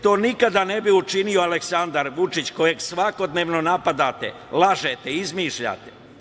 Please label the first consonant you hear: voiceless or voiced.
voiceless